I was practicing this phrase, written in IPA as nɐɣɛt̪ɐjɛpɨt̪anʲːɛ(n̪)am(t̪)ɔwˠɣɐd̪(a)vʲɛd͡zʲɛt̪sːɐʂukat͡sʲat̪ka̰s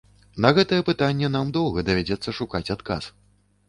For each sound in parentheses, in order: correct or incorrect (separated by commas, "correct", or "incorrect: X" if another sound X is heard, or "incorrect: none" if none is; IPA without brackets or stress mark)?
correct, incorrect: d̪, incorrect: ɐ